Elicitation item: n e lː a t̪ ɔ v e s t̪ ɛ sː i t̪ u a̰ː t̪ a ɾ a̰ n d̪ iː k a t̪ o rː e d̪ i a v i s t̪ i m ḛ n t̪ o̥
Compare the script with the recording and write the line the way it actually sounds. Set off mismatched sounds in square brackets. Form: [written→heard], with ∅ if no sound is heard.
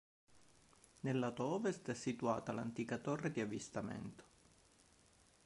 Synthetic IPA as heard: n e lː a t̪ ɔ v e s t̪ ɛ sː i t̪ u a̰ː t̪ a [ɾ→l] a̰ n [d̪→t̪] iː k a t̪ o rː e d̪ i a v i s t̪ [i→a] m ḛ n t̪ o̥